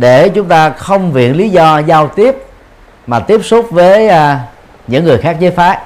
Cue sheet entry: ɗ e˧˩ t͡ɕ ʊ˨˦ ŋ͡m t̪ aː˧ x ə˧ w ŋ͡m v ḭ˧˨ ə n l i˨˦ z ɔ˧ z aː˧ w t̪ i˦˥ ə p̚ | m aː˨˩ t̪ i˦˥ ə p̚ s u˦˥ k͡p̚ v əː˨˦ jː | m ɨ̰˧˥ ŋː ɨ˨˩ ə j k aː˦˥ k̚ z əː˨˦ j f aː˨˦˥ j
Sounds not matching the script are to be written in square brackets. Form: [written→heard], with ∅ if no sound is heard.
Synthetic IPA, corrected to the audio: ɗ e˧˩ t͡ɕ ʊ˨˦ ŋ͡m t̪ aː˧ x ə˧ w ŋ͡m v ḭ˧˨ ə n l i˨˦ z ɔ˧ z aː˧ w t̪ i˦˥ ə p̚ | m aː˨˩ t̪ i˦˥ ə p̚ s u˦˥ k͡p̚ v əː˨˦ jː | [m→ɲ] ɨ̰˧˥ ŋː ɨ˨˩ ə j [k→x] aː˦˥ k̚ z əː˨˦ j f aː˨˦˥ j